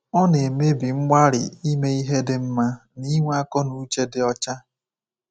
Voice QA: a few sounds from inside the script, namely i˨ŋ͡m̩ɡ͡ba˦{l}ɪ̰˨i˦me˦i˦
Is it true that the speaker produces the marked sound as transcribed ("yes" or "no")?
no